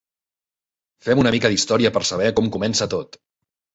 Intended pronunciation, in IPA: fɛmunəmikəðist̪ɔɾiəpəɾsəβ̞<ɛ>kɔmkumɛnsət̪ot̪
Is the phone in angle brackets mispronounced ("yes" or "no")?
no